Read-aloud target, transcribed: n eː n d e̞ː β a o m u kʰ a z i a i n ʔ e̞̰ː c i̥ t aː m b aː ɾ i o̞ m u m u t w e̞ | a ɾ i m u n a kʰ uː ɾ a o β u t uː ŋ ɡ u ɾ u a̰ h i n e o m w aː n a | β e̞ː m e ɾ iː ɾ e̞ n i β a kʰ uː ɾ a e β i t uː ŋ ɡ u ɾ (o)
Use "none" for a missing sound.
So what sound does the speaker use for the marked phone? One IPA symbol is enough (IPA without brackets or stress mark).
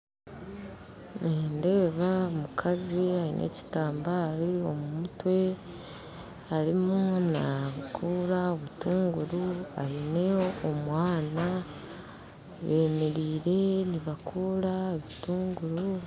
u